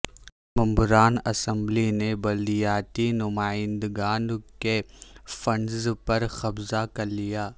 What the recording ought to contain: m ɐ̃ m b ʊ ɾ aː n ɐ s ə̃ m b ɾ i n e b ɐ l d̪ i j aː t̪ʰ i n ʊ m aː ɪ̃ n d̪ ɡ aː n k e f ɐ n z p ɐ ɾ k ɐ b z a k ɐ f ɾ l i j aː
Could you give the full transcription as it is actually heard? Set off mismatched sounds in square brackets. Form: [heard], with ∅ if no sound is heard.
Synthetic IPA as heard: m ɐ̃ m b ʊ ɾ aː n ɐ s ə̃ m b [l] i n e b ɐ l d̪ i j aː [t̪] i n ʊ m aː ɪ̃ n d̪ ɡ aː n k e f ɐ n z p ɐ ɾ [x] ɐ b z a k ɐ [∅] ɾ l i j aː